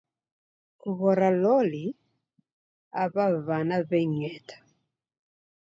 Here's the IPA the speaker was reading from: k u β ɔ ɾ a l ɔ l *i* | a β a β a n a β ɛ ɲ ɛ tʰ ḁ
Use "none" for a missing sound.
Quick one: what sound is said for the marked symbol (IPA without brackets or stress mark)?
i